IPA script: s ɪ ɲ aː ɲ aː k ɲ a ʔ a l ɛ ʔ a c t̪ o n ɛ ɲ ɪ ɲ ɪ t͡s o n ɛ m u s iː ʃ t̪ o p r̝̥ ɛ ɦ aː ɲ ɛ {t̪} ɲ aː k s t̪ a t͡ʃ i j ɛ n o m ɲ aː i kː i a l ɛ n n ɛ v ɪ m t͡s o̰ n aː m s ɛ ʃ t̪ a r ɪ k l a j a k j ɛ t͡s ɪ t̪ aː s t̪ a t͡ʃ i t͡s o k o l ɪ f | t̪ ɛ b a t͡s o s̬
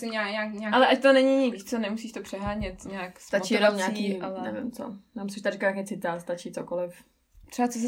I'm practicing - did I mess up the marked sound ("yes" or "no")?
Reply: no